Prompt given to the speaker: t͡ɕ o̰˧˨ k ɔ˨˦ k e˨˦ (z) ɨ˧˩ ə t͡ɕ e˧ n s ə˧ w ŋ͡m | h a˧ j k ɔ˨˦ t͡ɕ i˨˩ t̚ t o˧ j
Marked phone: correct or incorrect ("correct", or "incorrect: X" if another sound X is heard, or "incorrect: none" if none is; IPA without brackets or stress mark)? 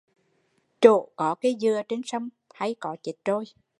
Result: correct